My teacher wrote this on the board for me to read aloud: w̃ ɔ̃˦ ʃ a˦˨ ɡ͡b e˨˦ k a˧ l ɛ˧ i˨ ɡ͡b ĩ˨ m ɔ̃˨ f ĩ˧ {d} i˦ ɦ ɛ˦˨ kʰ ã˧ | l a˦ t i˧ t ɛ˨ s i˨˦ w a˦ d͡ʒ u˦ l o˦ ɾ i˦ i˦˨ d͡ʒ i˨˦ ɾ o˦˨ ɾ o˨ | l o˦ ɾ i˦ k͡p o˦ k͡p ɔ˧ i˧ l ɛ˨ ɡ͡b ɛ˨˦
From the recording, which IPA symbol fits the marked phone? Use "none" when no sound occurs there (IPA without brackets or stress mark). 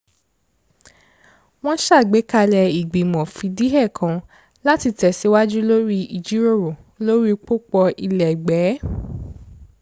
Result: d